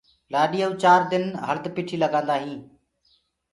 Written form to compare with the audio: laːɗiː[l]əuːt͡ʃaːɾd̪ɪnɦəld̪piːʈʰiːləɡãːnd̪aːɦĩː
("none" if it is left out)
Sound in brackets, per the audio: none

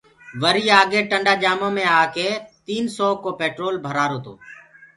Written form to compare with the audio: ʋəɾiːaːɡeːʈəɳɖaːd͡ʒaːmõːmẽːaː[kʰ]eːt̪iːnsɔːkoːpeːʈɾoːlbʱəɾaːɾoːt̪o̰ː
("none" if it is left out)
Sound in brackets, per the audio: k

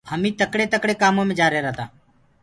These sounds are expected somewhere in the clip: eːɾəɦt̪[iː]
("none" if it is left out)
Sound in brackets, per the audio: aː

